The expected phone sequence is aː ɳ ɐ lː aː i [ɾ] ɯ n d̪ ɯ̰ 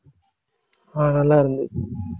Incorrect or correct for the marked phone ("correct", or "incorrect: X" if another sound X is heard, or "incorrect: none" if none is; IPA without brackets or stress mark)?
correct